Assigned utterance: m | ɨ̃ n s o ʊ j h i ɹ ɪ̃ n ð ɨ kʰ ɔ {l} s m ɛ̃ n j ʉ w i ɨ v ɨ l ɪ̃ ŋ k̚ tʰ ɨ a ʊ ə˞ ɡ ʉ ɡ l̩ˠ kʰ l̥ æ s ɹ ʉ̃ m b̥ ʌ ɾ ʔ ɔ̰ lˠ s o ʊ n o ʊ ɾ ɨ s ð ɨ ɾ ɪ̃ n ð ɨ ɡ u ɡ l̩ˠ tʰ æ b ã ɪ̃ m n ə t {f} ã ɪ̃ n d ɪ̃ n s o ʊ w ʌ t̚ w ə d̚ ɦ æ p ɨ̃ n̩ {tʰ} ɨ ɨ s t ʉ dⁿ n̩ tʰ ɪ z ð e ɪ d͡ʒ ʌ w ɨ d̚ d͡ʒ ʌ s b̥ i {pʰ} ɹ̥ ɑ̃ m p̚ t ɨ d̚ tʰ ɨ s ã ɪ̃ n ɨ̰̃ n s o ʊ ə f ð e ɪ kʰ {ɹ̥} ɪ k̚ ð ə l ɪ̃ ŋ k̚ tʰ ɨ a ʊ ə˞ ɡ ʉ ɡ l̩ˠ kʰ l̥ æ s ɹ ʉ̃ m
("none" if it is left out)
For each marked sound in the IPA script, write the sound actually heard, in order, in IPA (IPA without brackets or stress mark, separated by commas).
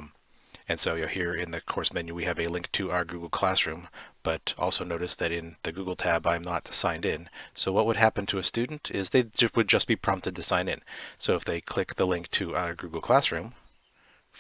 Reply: ɹ, s, tʰ, pʰ, l̥